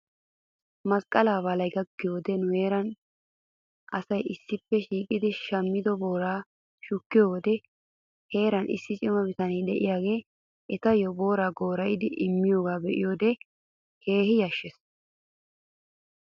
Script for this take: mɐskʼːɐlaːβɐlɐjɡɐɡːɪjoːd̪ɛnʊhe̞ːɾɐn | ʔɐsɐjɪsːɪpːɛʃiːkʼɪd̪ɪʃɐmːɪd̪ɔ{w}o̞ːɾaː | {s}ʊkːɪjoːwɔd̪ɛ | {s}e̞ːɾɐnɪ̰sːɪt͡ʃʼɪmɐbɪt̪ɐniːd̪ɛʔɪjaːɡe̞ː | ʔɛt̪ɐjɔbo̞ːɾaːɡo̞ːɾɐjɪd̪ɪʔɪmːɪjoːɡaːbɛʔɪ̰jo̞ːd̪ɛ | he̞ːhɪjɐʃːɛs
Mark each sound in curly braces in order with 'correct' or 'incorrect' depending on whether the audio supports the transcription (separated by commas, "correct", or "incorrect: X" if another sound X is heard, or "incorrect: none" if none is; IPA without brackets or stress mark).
incorrect: b, incorrect: ʃ, incorrect: h